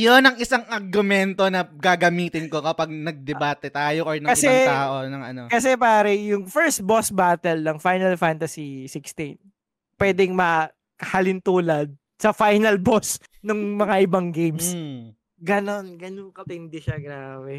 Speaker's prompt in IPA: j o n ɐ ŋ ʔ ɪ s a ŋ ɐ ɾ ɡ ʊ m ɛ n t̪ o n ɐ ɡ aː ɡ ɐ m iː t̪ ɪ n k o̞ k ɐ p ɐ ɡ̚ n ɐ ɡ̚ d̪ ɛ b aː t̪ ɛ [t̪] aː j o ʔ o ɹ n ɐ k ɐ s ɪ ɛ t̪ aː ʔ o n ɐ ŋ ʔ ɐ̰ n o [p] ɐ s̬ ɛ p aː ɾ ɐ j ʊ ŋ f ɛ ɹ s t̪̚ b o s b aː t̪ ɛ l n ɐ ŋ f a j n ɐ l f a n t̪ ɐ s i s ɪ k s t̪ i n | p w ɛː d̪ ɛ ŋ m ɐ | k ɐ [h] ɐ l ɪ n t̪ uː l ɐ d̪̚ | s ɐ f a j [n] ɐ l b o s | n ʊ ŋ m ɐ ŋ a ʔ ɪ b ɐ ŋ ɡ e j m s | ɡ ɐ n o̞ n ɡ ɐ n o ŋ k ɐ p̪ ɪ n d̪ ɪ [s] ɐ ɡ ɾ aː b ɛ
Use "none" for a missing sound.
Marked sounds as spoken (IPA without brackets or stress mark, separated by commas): t̪, k, h, n, ʃ